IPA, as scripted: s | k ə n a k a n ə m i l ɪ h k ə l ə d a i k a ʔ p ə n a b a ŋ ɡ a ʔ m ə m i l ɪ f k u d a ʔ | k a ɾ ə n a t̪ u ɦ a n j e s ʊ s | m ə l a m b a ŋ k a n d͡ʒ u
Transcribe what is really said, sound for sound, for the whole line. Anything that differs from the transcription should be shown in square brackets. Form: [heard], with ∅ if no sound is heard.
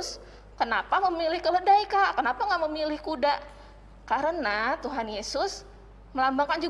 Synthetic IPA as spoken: s | k ə n a [p] a [m] ə m i l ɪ h k ə l ə d a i k a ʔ [k] ə n a [p] a ŋ ɡ a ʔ m ə m i l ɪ [h] k u d a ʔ | k a ɾ ə n a t̪ u ɦ a n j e s ʊ s | m ə l a m b a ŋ k a n d͡ʒ u